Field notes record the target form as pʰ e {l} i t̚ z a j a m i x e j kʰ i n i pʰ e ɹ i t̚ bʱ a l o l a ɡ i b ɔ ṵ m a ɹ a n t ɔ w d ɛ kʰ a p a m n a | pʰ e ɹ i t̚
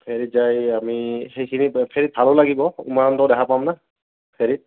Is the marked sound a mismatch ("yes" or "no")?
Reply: yes